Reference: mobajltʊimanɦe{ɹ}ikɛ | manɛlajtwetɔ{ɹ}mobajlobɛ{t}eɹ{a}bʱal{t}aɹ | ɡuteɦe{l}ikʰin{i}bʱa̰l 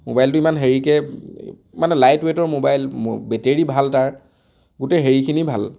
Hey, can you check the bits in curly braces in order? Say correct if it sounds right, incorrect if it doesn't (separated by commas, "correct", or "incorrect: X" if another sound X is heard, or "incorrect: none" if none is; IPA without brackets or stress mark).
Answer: correct, correct, correct, incorrect: i, correct, incorrect: ɹ, correct